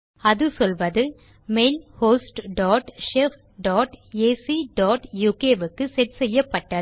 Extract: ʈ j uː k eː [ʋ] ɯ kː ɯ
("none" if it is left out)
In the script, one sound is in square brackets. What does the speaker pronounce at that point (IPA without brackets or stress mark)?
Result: ʋ